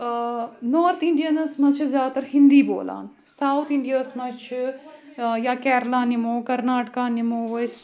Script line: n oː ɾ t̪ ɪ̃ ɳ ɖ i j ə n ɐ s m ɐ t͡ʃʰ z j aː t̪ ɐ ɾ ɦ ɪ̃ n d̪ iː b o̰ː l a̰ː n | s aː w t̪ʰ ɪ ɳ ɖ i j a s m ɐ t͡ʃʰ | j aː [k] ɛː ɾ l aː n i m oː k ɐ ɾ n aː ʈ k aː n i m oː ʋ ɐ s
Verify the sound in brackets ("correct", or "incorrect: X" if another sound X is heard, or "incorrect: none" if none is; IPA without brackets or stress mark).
correct